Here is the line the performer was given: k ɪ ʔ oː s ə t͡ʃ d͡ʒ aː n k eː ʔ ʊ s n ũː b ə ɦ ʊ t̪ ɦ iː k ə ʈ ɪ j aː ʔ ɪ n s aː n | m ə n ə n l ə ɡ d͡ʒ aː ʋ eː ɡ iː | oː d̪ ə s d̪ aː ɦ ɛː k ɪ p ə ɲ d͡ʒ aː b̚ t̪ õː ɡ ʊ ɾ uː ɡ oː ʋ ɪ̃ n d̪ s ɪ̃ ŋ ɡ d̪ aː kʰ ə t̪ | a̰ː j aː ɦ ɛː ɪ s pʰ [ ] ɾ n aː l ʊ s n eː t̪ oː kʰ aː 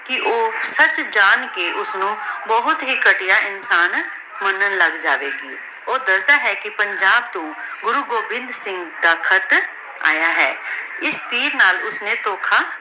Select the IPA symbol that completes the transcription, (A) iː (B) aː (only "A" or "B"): A